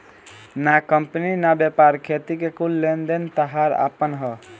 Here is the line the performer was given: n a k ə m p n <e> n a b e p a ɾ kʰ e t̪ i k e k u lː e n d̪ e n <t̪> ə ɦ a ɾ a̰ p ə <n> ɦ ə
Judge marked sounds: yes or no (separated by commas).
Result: no, yes, yes